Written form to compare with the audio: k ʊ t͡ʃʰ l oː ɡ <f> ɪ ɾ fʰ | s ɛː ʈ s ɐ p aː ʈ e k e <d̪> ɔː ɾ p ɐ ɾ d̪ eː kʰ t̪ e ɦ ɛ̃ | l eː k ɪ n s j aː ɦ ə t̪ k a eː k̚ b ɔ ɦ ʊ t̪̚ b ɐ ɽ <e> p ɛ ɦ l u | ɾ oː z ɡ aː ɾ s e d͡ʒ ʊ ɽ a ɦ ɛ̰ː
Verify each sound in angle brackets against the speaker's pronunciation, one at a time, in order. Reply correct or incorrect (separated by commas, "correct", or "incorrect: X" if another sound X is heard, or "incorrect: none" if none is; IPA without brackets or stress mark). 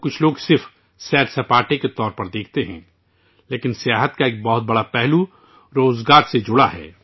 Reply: incorrect: s, incorrect: t̪, incorrect: a